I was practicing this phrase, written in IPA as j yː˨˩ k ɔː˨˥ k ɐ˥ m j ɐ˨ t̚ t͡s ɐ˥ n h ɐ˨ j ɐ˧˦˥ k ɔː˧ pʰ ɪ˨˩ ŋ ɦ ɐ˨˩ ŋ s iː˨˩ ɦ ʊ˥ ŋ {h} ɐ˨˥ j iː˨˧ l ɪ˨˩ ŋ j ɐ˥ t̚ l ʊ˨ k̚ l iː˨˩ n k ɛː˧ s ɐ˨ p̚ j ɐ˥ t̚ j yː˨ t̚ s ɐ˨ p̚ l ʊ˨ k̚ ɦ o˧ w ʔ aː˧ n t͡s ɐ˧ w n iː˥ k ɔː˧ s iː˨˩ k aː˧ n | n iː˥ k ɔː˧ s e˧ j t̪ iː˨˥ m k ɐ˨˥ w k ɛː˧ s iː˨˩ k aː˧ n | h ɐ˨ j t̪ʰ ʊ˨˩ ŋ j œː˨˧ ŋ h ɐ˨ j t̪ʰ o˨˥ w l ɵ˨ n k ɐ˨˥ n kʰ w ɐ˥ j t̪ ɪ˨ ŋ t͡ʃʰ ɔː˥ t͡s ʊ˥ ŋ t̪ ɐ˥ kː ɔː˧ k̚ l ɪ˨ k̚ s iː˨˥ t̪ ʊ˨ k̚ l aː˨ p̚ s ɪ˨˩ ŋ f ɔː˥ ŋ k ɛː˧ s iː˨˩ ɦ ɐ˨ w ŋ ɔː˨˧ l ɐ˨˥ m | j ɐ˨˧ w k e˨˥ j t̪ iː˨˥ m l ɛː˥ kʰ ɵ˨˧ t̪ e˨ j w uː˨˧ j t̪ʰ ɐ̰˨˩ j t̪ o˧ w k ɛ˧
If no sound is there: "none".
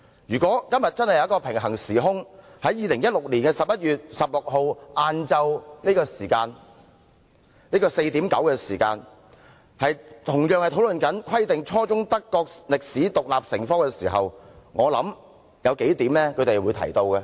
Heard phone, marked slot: h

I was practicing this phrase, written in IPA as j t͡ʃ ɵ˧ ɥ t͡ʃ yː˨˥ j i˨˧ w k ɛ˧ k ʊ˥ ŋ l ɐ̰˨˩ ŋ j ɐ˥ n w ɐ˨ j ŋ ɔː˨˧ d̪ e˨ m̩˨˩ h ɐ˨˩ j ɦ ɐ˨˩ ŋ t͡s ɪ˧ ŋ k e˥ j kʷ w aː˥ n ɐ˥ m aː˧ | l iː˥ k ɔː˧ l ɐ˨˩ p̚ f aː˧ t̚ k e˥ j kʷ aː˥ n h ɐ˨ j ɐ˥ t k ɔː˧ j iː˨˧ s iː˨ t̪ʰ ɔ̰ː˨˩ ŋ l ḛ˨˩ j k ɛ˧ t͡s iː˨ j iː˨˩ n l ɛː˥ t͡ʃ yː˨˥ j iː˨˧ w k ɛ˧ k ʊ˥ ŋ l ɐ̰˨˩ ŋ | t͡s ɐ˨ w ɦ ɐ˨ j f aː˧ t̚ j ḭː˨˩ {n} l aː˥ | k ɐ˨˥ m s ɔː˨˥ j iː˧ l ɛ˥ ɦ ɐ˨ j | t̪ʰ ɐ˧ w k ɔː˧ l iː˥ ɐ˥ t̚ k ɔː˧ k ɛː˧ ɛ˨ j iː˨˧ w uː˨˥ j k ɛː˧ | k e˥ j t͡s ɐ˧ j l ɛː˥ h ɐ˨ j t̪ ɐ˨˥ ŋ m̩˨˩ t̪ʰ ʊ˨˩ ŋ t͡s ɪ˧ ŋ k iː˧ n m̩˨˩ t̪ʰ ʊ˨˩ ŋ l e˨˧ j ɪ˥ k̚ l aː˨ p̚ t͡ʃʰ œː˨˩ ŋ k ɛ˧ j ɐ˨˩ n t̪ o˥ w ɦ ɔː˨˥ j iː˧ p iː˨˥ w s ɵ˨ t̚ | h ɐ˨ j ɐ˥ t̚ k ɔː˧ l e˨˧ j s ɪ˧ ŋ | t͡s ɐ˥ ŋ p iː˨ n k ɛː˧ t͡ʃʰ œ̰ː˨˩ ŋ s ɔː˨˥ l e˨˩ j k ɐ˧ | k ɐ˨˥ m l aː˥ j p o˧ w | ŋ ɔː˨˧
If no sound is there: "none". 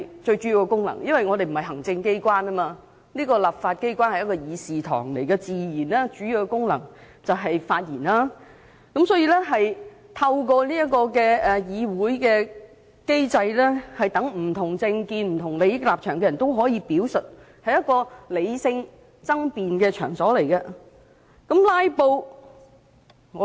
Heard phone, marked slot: n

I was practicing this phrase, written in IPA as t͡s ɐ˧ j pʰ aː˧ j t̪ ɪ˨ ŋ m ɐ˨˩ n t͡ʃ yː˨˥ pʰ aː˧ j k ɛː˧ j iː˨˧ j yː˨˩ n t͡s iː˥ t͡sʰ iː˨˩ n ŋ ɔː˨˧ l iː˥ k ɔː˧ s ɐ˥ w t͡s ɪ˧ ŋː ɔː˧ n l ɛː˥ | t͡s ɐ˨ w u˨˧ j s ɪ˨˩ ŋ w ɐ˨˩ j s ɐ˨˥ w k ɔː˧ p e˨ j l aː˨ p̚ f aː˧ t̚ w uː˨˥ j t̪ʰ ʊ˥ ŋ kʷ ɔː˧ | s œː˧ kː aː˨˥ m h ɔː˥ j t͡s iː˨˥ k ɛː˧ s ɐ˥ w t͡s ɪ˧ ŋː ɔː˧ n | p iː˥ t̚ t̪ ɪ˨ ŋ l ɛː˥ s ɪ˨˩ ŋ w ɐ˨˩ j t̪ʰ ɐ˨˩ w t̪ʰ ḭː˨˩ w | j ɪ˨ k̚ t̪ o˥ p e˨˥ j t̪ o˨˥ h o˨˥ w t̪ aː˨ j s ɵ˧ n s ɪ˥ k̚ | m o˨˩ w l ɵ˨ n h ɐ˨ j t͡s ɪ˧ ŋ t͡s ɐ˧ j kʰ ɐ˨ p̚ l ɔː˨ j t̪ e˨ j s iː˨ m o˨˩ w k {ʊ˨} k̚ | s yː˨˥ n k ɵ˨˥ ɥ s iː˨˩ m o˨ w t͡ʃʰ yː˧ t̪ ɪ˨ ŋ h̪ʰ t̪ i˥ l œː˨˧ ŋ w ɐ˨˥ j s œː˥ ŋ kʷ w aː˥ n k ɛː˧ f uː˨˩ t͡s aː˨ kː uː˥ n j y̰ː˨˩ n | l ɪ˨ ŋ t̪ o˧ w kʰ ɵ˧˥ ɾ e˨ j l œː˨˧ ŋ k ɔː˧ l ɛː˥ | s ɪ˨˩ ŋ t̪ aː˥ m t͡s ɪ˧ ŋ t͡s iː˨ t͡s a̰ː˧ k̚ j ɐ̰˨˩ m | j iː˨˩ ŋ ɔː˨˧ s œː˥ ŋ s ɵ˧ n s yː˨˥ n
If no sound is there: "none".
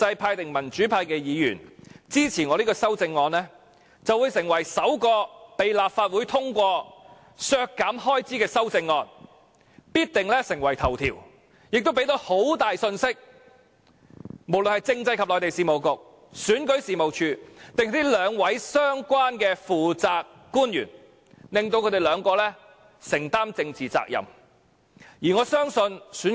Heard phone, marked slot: ʊ˨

